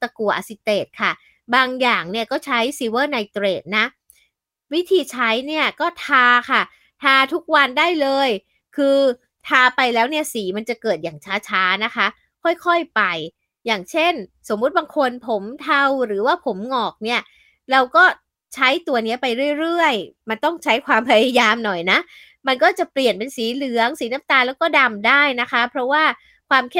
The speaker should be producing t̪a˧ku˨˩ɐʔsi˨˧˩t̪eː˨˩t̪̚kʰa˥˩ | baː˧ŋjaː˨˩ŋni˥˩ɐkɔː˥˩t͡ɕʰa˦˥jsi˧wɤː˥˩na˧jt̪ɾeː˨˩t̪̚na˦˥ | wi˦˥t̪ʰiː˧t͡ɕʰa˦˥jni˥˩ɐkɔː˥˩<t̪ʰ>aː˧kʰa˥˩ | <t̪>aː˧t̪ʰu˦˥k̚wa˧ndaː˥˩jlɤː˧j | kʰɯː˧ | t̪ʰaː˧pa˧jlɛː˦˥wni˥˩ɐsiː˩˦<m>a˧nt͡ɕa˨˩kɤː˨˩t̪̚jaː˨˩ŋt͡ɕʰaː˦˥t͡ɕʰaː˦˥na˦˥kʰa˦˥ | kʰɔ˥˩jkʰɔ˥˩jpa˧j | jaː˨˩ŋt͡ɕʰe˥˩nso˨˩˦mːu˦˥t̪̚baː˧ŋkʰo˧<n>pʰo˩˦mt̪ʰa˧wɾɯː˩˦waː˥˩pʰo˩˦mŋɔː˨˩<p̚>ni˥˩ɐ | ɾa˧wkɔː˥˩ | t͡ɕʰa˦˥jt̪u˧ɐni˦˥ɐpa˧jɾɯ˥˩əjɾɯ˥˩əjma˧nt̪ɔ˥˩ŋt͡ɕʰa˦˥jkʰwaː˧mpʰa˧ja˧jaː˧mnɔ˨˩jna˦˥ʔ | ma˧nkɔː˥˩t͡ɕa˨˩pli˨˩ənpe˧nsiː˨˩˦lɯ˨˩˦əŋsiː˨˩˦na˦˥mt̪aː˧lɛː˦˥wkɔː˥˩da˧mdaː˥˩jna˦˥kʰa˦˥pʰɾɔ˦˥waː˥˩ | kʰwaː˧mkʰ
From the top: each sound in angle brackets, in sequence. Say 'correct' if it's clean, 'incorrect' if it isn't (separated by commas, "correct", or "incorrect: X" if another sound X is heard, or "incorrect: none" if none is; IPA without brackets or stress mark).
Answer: correct, incorrect: t̪ʰ, correct, correct, incorrect: k̚